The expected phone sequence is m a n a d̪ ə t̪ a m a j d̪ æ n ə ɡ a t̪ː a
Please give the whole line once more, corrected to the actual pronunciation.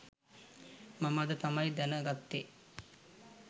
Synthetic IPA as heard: m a m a d̪ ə t̪ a m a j d̪ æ n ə ɡ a t̪ː e